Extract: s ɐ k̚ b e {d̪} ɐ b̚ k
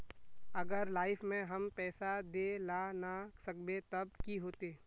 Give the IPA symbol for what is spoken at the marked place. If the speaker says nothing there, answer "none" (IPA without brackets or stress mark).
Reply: t̪